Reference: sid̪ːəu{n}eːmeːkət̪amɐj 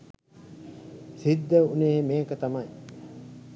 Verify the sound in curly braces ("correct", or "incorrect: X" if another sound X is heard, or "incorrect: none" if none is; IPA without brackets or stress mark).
correct